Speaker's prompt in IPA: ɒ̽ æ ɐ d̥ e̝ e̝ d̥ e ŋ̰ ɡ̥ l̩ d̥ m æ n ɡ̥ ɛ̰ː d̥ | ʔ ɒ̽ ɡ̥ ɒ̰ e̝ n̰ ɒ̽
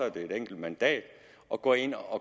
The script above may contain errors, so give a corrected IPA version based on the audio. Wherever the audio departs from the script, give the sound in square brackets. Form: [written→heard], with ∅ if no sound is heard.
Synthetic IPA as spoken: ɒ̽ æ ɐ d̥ e̝ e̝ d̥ e ŋ̰ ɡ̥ l̩ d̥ m æ n [ɡ̥→d̥] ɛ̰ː d̥ | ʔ ɒ̽ ɡ̥ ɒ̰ e̝ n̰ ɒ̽